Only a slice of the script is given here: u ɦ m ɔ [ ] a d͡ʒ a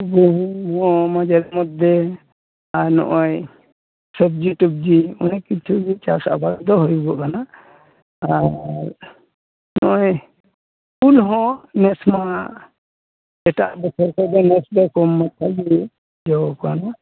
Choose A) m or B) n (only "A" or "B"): A